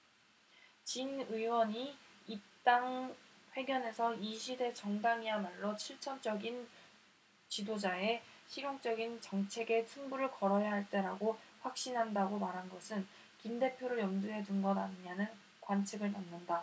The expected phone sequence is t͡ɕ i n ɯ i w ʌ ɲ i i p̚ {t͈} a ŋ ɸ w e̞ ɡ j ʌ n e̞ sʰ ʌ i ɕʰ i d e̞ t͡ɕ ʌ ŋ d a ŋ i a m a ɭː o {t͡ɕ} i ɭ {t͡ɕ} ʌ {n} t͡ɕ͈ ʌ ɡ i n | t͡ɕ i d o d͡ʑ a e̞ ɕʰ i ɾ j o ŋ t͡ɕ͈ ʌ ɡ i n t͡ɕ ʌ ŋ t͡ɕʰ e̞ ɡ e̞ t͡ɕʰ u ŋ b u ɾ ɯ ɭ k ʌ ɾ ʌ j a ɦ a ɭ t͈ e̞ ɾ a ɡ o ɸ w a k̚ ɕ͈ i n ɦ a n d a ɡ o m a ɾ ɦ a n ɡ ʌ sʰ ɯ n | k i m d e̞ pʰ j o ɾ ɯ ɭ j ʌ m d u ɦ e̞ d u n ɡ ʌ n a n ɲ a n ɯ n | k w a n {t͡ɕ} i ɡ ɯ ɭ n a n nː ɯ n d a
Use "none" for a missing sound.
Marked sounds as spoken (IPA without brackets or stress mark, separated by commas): t͈, t͡ɕʰ, t͡ɕʰ, n, t͡ɕʰ